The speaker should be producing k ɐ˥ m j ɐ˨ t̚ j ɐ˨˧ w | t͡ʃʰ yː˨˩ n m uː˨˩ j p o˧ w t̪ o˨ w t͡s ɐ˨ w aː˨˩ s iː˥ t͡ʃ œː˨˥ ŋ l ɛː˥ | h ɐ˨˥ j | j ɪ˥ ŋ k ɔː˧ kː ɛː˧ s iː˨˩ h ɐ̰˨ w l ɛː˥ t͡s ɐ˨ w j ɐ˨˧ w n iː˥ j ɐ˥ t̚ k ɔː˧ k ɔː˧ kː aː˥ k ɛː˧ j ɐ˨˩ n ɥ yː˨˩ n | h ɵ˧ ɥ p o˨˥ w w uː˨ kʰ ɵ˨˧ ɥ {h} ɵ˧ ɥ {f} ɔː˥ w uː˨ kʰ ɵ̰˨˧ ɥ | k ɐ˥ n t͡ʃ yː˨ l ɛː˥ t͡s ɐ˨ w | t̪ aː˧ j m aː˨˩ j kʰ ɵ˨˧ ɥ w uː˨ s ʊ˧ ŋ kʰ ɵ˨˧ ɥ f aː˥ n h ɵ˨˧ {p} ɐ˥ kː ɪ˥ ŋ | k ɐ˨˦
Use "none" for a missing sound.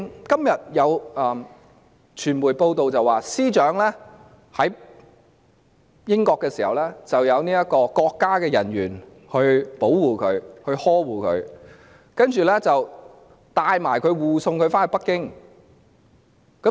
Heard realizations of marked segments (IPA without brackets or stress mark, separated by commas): h, h, p